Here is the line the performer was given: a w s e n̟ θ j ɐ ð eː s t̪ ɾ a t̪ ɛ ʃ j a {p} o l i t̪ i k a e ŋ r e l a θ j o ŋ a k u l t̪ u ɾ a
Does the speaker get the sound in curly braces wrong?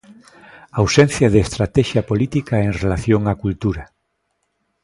no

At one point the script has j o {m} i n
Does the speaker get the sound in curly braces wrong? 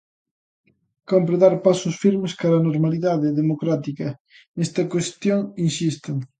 yes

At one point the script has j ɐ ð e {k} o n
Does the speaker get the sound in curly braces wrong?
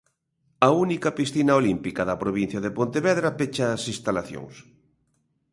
yes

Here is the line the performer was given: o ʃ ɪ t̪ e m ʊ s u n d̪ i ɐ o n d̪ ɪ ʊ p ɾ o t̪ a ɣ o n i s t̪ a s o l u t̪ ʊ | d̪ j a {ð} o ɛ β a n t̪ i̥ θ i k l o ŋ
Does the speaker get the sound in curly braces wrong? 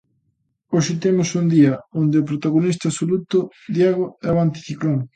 yes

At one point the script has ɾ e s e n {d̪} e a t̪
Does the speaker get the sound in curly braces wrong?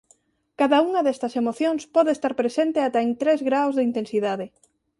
yes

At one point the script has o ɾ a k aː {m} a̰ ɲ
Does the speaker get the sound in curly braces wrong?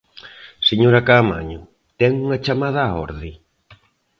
no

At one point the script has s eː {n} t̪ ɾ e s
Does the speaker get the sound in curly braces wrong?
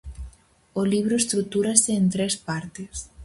no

